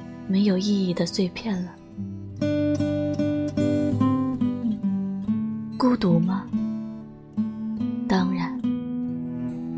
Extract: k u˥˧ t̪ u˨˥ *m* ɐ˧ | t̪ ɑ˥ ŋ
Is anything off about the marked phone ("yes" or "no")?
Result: no